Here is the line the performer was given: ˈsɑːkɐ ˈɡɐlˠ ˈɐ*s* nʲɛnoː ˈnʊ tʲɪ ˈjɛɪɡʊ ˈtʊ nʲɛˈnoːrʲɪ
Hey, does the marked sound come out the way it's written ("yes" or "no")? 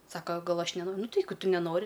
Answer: no